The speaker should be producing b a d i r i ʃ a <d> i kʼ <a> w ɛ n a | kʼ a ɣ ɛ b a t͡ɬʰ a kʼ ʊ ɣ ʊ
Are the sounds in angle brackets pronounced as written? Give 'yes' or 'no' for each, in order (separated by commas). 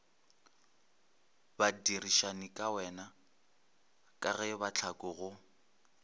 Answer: no, yes